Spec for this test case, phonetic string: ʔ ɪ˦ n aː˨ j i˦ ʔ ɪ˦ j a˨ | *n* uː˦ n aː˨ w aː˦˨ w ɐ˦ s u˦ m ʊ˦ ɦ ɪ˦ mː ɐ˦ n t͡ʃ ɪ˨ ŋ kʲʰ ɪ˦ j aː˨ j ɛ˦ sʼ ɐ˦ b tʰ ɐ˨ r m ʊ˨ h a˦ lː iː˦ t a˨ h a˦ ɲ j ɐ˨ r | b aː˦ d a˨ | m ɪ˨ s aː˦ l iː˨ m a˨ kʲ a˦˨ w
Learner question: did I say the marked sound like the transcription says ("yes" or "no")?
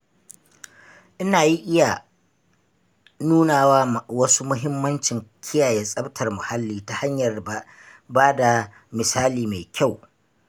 yes